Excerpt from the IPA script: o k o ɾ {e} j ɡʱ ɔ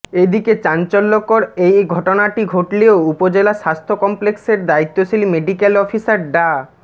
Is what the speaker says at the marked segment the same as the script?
yes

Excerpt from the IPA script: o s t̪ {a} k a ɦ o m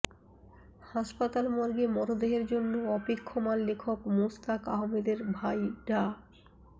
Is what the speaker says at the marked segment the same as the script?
yes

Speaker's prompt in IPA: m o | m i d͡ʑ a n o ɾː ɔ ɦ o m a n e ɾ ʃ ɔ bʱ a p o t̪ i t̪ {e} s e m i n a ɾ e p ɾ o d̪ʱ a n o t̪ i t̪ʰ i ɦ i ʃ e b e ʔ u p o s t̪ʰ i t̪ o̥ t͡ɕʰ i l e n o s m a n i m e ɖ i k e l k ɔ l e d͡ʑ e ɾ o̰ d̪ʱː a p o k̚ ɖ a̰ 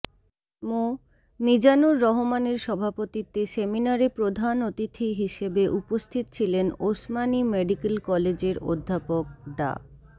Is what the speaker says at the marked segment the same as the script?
yes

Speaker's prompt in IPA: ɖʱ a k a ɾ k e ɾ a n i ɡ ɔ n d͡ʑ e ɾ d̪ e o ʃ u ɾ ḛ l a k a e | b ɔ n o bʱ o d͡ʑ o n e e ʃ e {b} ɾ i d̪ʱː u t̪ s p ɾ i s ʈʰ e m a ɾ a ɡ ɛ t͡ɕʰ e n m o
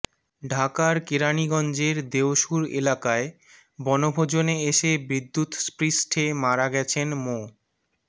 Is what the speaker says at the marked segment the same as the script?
yes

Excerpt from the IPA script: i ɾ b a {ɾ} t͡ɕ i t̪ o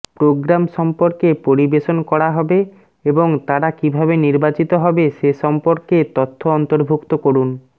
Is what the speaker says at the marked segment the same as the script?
no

